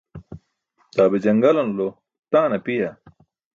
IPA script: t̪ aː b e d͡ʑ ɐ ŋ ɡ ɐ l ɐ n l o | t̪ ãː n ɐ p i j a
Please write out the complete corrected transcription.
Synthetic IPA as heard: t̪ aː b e d͡ʑ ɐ ŋ ɡ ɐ l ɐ n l o | t̪ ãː n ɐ p i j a